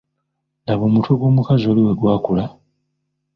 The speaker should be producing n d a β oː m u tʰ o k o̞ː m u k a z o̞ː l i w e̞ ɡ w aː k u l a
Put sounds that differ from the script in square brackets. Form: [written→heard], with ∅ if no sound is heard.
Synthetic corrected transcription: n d a β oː m u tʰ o [k→ɡ] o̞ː m u k a z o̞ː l i w e̞ ɡ w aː k u l a